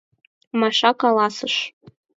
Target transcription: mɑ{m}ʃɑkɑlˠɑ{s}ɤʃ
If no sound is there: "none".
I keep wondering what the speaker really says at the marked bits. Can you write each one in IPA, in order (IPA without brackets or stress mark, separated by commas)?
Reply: none, s